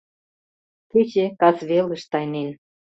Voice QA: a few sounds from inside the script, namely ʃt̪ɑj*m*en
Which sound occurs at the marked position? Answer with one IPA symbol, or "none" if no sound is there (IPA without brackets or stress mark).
n